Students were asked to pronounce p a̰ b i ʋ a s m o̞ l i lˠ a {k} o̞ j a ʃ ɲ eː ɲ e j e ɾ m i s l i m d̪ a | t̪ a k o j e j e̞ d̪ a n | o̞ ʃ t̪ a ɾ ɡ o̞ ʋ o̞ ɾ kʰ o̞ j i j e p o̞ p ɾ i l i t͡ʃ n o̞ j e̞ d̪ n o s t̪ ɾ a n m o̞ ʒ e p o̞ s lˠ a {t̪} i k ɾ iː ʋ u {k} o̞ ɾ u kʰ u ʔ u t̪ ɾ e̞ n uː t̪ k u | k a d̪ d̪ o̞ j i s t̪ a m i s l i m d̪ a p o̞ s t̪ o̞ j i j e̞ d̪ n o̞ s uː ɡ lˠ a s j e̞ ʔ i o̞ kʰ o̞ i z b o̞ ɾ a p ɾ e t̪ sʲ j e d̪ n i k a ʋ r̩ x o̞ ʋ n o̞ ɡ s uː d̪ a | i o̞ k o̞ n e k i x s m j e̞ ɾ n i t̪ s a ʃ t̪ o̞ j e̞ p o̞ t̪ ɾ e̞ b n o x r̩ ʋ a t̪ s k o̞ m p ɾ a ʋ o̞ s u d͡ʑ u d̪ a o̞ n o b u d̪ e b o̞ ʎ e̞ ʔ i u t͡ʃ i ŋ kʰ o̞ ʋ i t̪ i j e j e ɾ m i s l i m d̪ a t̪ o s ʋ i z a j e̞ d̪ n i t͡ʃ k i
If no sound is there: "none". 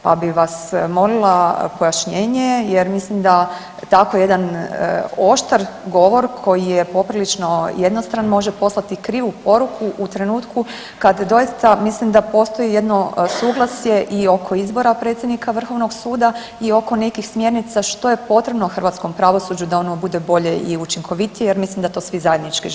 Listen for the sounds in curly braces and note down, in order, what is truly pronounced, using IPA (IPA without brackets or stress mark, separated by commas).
p, t̪, p